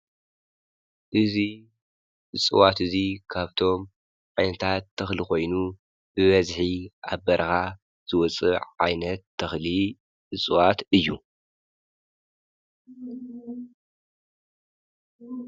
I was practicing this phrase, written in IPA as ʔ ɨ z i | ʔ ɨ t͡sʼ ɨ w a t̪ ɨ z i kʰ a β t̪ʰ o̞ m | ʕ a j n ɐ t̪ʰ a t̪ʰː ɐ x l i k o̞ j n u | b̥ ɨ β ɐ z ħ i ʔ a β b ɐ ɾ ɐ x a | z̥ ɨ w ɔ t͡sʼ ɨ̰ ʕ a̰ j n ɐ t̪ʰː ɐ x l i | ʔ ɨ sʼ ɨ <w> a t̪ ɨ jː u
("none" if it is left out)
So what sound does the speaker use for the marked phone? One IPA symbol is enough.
w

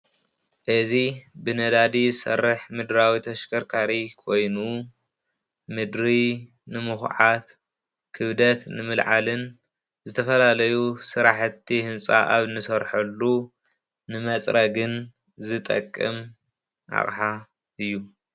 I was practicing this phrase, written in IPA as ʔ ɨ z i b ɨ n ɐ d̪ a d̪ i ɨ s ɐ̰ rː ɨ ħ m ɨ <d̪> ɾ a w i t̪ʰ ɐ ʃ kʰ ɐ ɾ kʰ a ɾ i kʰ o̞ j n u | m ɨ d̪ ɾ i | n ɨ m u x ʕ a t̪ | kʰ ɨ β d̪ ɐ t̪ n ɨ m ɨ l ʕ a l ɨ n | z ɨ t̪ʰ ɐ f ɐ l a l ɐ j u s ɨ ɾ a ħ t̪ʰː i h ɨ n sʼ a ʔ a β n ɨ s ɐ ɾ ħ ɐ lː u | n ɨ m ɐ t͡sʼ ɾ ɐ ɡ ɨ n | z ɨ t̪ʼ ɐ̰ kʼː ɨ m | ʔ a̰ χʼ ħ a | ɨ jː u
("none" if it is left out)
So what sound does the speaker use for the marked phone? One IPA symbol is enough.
d̪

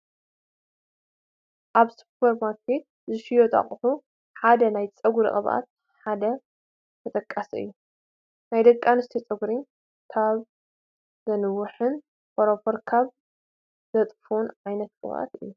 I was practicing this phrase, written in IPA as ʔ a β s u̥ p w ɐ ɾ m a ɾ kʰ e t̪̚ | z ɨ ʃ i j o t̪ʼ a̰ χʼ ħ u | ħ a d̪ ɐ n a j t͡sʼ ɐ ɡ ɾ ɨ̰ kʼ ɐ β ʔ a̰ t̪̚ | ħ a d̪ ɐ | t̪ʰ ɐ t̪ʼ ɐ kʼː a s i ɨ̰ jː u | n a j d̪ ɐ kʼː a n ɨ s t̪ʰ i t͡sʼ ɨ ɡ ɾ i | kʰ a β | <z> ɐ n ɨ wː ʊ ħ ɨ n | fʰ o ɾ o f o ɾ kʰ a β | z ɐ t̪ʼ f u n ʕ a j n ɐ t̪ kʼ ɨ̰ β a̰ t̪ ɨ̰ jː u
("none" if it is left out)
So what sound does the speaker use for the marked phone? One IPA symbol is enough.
z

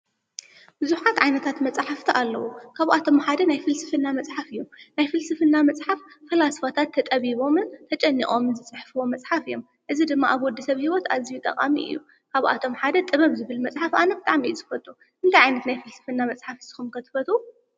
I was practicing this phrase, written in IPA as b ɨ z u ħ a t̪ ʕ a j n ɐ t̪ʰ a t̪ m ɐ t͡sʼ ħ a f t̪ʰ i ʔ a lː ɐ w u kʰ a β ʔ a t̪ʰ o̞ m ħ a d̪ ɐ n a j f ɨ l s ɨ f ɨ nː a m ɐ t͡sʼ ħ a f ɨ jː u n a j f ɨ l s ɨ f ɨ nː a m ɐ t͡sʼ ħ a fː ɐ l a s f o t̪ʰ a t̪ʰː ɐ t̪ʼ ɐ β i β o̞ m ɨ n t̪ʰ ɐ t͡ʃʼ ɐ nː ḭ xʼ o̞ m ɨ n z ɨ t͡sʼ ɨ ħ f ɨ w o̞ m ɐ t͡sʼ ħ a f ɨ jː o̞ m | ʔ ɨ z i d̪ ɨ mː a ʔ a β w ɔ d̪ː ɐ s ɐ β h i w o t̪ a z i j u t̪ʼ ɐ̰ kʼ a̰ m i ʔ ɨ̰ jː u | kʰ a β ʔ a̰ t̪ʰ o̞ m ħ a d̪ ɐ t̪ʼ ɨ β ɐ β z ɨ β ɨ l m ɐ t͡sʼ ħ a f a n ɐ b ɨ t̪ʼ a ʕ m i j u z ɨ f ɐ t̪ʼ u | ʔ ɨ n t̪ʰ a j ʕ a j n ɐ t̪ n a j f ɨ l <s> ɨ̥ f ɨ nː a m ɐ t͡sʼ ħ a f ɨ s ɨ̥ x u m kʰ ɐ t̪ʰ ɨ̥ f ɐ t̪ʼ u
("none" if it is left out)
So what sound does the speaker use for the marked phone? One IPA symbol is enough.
s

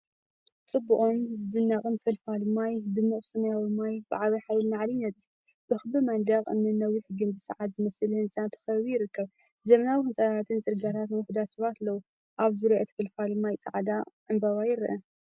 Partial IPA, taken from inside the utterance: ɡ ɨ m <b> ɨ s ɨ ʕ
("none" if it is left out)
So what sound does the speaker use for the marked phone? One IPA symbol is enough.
b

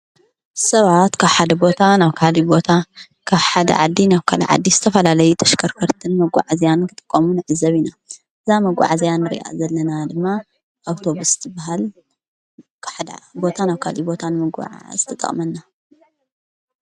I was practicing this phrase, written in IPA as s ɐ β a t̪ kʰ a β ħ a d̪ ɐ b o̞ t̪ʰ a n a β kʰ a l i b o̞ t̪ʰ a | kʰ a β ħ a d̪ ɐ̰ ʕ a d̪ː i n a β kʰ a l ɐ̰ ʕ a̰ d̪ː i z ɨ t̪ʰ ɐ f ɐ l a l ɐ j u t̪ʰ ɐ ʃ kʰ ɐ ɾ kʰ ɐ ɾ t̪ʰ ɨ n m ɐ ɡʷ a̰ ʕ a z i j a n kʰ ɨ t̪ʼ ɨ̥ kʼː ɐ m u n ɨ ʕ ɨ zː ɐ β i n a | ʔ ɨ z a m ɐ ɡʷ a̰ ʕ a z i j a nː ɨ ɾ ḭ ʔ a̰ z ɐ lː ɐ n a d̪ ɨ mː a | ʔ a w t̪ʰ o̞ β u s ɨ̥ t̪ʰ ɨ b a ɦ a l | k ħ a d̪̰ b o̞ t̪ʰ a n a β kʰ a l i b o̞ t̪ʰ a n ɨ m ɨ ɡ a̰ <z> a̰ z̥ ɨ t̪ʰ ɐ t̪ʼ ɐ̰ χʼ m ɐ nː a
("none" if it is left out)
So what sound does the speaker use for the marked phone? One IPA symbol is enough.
ʕ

